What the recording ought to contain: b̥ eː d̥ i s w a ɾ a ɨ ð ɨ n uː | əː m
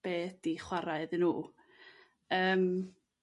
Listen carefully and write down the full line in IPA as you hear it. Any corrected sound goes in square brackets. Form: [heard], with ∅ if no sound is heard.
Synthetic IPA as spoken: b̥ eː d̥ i [χ] w a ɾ a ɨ ð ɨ n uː | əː m